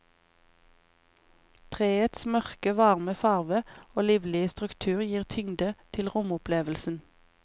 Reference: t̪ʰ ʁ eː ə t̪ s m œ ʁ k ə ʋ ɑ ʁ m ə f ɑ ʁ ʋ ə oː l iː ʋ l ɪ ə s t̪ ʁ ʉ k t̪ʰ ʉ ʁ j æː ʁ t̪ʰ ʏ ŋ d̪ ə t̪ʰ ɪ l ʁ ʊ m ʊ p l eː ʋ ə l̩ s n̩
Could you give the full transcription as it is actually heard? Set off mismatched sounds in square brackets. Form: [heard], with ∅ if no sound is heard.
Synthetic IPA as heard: t̪ʰ ʁ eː ə t̪ s m œ ʁ k ə ʋ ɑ ʁ m ə f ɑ ʁ ʋ ə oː l iː ʋ l ɪ ə s t̪ ʁ ʉ k t̪ʰ [ʉː] ʁ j [iː] ʁ t̪ʰ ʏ ŋ d̪ ə t̪ʰ ɪ l ʁ ʊ m ʊ p l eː ʋ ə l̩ s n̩